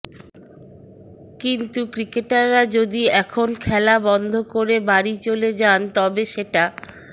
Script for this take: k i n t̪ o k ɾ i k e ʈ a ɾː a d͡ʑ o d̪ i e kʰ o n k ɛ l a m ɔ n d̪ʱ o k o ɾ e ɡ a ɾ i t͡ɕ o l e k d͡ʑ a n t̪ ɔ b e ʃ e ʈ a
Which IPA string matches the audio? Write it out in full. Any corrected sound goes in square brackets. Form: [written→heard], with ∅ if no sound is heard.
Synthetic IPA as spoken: k i n t̪ [o→u] k ɾ i k e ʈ a ɾː a d͡ʑ o d̪ i [e→ɛ] kʰ o n [k→kʰ] ɛ l a [m→b] ɔ n d̪ʱ o k o ɾ e [ɡ→b] a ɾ i t͡ɕ o l e [k→∅] d͡ʑ a n t̪ ɔ b e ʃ e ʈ a